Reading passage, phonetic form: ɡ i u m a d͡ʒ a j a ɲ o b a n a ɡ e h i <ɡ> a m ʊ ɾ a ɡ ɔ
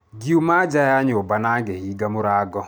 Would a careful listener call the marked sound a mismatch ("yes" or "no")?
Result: no